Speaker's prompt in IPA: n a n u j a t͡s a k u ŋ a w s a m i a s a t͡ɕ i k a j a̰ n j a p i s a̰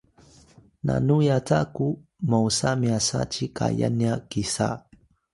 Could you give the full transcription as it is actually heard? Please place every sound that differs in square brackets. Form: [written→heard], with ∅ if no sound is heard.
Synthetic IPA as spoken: n a n u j a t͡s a k u [ŋ→m] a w s a m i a s a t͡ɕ i k a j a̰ n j a [p→k] i s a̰

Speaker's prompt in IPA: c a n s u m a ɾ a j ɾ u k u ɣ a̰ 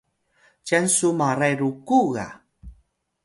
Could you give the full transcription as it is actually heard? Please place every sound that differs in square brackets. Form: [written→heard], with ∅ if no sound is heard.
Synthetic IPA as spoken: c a n s u m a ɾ a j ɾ u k u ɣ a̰

